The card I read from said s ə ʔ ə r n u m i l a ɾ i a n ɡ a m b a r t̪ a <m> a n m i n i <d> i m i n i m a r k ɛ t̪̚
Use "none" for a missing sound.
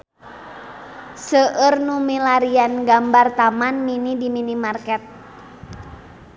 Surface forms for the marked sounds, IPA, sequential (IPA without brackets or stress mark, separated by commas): m, d